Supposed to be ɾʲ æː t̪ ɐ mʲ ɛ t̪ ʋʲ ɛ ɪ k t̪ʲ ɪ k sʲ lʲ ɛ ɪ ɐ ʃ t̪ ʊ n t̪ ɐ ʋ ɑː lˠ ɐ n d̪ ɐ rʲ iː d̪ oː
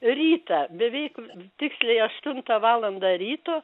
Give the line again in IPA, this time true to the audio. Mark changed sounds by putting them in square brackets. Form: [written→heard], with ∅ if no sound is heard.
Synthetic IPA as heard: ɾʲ [æː→iː] t̪ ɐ [mʲ→bʲ] ɛ [t̪→∅] ʋʲ ɛ ɪ k t̪ʲ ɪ k sʲ lʲ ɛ ɪ ɐ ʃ t̪ ʊ n t̪ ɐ ʋ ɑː lˠ ɐ n d̪ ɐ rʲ iː [d̪→t̪] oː